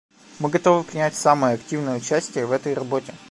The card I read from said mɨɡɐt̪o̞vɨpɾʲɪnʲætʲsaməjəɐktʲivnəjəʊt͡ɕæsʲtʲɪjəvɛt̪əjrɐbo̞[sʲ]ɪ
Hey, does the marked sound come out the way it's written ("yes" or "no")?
no